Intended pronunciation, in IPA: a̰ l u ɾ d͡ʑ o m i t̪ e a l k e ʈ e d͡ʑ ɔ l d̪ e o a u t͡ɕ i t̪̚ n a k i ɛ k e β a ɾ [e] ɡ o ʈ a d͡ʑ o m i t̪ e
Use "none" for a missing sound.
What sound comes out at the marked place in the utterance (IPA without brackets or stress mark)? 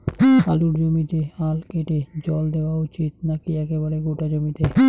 e